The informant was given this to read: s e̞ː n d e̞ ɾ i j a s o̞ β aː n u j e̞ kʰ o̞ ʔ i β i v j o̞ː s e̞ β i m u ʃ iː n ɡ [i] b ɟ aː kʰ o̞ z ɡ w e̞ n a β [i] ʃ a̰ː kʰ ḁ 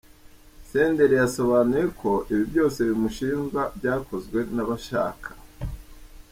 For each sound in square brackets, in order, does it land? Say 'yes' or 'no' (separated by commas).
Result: no, no